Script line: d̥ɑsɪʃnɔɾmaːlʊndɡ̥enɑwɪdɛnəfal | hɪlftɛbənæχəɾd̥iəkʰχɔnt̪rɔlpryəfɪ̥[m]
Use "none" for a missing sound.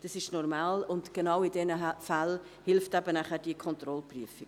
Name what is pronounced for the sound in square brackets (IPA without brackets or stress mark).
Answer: none